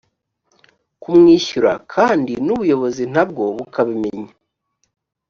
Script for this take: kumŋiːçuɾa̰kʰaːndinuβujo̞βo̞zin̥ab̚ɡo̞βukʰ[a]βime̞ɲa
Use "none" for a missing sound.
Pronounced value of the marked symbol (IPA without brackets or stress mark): a